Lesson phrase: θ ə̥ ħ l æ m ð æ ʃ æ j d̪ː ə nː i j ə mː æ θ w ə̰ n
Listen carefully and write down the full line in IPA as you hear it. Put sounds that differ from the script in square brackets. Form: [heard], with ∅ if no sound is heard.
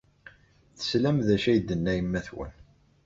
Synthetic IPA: θ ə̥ [s] l æ m ð æ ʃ æ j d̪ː ə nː [æ] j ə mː æ θ w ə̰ n

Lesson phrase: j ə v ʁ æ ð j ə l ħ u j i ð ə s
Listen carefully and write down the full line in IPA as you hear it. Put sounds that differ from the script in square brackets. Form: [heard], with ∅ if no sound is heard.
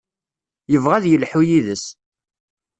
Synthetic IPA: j ə v ʁ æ ð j ə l ħ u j i ð ə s

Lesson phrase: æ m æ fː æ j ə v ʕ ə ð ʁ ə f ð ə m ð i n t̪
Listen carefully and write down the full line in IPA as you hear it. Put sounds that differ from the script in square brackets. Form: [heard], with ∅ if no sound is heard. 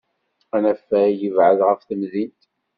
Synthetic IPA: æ [n] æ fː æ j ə v ʕ ə ð ʁ ə f [θ] ə m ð i n t̪

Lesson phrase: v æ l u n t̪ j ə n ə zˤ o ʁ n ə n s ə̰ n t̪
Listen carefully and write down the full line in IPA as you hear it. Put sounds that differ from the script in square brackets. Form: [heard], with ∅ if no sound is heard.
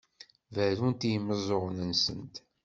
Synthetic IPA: v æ [ɾ] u n t̪ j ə [m] ə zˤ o ʁ n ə n s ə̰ n t̪

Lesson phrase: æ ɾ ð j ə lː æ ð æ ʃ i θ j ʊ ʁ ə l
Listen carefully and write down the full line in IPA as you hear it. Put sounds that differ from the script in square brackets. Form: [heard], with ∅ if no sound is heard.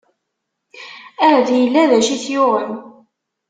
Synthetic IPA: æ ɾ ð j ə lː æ ð æ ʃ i θ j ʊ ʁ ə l

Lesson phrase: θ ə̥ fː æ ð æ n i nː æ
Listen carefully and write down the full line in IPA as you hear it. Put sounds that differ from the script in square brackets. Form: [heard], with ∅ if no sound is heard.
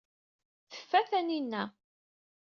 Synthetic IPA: θ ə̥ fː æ [θ] æ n i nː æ

